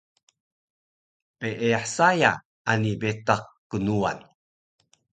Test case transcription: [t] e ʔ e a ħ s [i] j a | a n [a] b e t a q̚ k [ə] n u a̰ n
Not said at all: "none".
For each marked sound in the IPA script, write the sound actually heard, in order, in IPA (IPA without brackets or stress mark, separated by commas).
p, a, i, ə